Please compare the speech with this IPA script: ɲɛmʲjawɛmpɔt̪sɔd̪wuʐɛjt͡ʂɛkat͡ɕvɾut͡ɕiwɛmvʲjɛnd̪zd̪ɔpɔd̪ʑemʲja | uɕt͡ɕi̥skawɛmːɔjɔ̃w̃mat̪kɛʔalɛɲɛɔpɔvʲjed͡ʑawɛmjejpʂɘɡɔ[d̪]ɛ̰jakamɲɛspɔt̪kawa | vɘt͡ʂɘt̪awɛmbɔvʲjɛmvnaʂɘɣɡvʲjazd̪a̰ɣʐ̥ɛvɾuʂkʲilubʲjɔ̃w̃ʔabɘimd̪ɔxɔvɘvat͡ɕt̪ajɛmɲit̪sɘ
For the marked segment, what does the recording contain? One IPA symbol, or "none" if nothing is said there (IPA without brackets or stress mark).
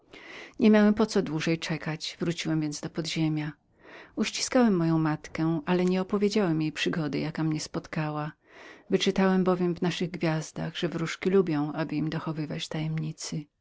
d̪